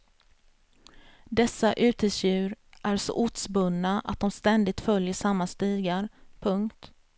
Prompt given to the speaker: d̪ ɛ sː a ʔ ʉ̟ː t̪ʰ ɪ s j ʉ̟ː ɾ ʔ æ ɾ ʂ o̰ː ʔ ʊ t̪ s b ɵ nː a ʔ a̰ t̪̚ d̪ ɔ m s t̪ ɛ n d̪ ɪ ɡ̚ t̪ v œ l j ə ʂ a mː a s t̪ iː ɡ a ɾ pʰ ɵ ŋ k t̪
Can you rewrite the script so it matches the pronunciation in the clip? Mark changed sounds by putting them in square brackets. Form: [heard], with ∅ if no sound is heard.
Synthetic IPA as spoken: d̪ ɛ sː a ʔ ʉ̟ː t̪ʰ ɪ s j ʉ̟ː ɾ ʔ æ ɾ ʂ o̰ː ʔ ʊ t̪ s b ɵ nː a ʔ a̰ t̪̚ d̪ ɔ m s t̪ ɛ n d̪ ɪ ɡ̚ t̪ [f] œ l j ə ʂ a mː a s t̪ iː ɡ a ɾ pʰ ɵ ŋ k t̪